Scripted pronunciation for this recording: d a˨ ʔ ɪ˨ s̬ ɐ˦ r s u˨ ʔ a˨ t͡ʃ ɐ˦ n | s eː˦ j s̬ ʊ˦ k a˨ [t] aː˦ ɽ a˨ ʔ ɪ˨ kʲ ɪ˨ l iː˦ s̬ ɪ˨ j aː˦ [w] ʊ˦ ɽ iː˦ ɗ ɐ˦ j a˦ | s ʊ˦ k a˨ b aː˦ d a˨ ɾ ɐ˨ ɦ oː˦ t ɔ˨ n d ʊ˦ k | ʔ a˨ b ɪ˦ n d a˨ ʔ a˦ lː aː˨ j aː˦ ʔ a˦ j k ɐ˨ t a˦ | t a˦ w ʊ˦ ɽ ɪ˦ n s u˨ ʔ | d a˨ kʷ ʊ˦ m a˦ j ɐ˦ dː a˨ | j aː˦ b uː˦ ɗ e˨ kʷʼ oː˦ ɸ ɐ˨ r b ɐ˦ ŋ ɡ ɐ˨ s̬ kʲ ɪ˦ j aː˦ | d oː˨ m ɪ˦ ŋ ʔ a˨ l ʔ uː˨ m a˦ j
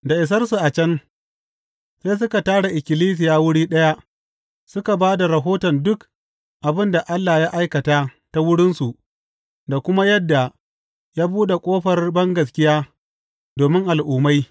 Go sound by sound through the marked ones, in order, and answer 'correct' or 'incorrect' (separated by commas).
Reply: correct, correct